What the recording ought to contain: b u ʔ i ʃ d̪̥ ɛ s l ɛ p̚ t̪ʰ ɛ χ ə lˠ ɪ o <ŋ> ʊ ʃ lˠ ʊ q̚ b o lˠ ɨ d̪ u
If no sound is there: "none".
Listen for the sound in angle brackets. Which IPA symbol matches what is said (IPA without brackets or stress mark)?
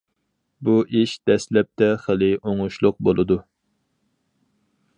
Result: ŋ